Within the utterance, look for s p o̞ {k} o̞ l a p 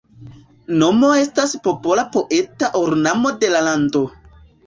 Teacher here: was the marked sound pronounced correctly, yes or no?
no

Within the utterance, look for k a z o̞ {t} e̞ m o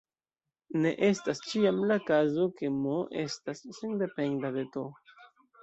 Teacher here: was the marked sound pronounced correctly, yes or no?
no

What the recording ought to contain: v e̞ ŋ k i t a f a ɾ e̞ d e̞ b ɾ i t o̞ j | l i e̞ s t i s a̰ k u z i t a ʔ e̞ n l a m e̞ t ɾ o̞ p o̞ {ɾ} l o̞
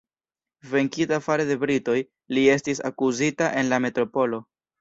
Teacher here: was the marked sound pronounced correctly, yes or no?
no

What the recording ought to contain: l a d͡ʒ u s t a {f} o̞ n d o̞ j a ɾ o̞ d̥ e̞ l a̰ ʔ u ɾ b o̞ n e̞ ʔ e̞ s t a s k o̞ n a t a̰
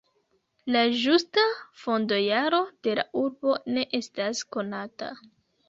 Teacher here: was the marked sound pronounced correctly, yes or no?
yes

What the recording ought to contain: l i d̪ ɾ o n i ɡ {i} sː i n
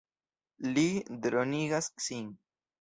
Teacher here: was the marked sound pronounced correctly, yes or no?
no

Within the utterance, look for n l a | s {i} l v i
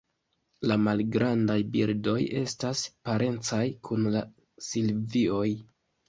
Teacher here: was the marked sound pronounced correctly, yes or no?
yes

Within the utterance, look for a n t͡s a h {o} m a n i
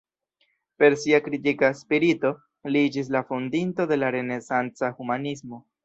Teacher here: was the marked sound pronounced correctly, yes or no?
no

